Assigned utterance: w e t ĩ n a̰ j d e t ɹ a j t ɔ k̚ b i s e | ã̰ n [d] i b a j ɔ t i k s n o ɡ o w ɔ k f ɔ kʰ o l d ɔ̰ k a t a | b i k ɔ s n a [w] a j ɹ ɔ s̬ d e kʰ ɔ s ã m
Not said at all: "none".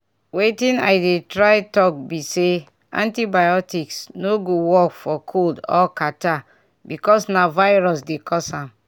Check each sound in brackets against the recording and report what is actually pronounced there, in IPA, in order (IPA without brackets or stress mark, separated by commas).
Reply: t, v